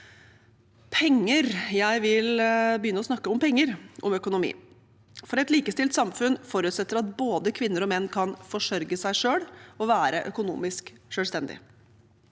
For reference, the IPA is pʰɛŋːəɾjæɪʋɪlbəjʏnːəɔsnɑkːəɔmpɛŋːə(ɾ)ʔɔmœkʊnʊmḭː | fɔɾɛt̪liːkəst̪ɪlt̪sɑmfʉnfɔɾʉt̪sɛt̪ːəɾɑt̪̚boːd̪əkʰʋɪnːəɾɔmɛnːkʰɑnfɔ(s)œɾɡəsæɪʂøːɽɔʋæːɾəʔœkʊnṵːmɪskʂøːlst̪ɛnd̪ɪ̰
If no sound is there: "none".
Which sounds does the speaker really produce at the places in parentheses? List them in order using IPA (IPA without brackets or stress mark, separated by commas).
ɾ, ʂ